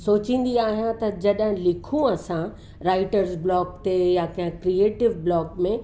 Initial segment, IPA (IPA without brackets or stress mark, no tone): s